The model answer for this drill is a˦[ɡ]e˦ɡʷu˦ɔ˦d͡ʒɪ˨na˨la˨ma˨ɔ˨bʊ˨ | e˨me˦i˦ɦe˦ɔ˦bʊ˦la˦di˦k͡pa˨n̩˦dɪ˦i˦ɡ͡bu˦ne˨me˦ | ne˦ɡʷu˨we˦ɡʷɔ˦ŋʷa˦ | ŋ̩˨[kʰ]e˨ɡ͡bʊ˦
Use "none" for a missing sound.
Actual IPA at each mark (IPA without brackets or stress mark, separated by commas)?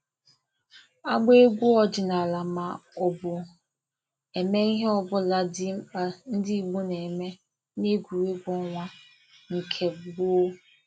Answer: ɡ͡b, kʰ